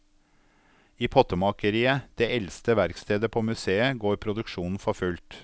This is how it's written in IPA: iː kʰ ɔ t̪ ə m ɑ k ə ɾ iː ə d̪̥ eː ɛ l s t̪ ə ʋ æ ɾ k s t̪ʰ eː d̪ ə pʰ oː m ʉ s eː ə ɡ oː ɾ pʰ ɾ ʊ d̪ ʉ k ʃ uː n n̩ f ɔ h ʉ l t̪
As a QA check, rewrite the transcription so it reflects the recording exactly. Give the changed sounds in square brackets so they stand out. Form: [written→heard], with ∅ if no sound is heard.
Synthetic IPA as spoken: iː [kʰ→pʰ] ɔ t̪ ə m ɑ k ə ɾ iː ə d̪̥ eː ɛ l s t̪ ə ʋ æ ɾ k s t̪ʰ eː d̪ ə pʰ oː m ʉ s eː ə ɡ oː ɾ pʰ ɾ ʊ d̪ ʉ k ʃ uː n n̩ f ɔ [h→f] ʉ l t̪